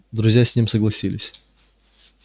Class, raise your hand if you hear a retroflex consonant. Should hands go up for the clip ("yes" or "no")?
no